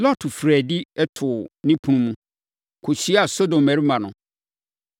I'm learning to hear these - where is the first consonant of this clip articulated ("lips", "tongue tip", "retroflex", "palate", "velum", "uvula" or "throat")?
tongue tip